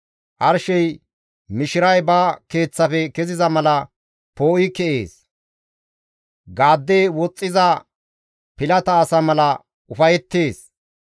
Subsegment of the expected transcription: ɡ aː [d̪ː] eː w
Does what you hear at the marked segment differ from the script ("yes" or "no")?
no